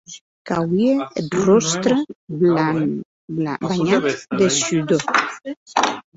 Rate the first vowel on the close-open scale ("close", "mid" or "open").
open